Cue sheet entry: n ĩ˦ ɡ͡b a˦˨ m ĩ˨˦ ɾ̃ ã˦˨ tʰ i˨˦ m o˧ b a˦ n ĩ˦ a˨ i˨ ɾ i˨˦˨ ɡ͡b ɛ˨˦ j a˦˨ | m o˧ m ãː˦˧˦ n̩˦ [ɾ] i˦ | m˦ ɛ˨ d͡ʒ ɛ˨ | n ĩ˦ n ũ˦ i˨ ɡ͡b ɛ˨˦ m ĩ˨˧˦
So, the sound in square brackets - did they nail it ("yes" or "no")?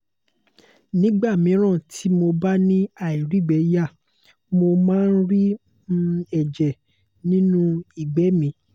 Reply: yes